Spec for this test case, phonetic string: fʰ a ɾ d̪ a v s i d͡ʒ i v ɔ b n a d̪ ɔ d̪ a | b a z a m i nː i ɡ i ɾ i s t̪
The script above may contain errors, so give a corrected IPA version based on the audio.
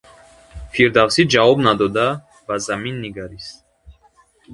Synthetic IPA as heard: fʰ i ɾ d̪ a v s i d͡ʒ a v ɔ b n a d̪ ɔ d̪ a | b a z a m i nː i ɡ a ɾ i s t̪